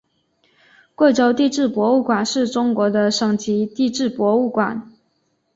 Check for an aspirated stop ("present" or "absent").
absent